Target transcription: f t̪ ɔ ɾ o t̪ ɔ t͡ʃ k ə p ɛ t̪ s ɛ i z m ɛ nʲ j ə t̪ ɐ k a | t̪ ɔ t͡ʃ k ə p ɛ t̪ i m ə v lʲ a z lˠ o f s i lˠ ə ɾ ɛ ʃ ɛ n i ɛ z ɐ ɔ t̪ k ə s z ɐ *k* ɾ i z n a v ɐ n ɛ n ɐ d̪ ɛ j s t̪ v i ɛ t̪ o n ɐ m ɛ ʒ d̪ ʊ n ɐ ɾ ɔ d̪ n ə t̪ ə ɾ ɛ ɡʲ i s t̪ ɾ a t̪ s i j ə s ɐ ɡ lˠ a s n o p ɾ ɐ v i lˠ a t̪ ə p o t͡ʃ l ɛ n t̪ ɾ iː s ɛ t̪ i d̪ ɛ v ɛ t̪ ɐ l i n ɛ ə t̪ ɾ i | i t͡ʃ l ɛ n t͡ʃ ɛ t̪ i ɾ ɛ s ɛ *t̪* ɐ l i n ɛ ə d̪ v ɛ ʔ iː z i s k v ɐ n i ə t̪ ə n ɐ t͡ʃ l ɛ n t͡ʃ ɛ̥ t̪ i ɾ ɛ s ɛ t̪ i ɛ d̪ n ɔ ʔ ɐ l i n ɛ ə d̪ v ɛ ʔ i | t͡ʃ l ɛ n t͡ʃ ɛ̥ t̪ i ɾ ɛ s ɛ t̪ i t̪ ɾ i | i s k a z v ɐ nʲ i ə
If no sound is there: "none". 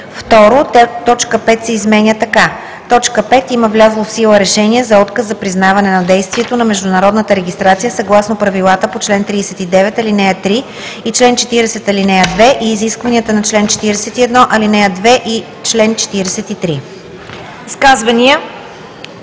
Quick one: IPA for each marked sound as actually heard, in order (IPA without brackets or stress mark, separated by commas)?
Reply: p, t̪